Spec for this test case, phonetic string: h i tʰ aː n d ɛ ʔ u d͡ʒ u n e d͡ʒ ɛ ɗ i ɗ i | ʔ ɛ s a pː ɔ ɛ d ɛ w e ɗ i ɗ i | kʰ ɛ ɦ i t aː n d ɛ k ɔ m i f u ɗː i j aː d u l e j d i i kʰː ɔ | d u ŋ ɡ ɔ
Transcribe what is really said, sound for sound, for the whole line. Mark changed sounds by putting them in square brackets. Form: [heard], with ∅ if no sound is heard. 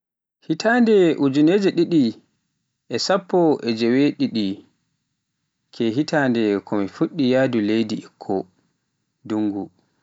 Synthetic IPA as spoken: h i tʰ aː n d ɛ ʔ u d͡ʒ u n e d͡ʒ ɛ ɗ i ɗ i | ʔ ɛ s a pː ɔ ɛ [d͡ʒ] ɛ w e ɗ i ɗ i | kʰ ɛ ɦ i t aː n d ɛ k ɔ m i f u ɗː i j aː d u l e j d i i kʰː ɔ | d u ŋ ɡ [u]

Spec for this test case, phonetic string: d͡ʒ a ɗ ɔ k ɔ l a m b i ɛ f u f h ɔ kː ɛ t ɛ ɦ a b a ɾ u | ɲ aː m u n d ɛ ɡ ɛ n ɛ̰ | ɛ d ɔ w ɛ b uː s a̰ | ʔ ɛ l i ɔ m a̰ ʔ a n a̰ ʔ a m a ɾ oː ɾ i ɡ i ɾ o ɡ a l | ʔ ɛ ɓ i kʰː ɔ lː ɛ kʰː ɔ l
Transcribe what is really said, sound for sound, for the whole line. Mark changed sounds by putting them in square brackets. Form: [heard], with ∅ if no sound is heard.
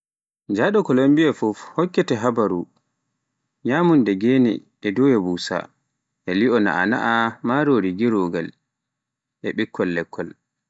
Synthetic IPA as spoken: d͡ʒ a ɗ ɔ k ɔ l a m b i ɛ f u f h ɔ kː ɛ t ɛ ɦ a b a ɾ u | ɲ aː m u n d ɛ ɡ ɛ n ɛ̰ | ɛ d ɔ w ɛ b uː s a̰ | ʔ ɛ l i ɔ [n] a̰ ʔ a n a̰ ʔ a m a ɾ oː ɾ i ɡ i ɾ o ɡ a l | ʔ ɛ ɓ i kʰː ɔ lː ɛ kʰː ɔ l

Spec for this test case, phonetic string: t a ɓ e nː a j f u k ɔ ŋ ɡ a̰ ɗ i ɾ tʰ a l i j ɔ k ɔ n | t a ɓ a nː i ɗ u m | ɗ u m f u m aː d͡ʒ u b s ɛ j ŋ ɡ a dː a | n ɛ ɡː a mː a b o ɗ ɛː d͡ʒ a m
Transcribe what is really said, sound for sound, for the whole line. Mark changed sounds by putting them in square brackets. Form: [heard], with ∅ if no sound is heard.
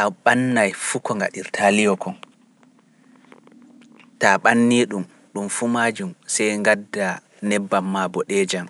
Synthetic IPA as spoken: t a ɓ [a] nː a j f u k ɔ ŋ ɡ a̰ ɗ i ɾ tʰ a l i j ɔ k ɔ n | t a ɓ a nː i ɗ u m | ɗ u m f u m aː d͡ʒ u [m] s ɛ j ŋ ɡ a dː a | n ɛ [bː] a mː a b [ɔ] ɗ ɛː d͡ʒ a m

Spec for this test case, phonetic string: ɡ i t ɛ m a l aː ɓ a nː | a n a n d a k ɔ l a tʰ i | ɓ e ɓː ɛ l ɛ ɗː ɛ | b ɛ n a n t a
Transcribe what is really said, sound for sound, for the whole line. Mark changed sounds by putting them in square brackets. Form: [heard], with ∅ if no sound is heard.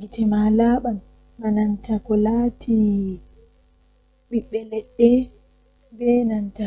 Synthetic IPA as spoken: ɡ i t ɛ m a l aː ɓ a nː | a n a n [t] a k ɔ l a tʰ i | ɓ [i] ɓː ɛ l ɛ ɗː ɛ | b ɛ n a n t a

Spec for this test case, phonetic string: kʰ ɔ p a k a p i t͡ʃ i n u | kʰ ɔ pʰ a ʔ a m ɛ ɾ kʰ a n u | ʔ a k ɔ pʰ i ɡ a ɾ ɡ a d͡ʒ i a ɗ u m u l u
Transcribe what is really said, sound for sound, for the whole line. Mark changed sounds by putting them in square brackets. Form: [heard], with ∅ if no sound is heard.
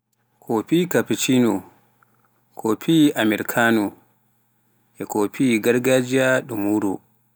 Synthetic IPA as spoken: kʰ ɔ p [i] k a p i t͡ʃ i n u | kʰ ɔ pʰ [i] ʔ a m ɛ ɾ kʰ a n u | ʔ [ɛ] k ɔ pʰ i ɡ a ɾ ɡ a d͡ʒ i a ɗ u m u [ɾ] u

